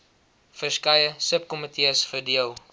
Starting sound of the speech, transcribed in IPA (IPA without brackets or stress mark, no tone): f